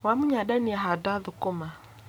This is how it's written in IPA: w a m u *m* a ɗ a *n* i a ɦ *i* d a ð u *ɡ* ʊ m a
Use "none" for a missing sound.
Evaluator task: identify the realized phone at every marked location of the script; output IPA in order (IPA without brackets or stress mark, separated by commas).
ɲ, n, a, k